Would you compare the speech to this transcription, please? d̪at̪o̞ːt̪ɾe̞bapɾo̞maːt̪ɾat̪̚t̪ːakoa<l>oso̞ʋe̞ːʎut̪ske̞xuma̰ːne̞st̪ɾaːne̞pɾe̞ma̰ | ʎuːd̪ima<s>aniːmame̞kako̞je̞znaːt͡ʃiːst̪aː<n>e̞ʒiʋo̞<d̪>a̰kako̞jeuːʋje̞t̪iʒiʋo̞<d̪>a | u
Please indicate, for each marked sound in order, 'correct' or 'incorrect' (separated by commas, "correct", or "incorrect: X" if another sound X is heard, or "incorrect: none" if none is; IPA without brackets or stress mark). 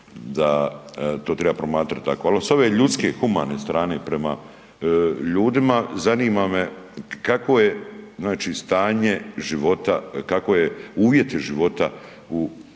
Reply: correct, incorrect: z, incorrect: ɲ, incorrect: t̪, incorrect: t̪